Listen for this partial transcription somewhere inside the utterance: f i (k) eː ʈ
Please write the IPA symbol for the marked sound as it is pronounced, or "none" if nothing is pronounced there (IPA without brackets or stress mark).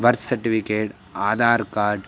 k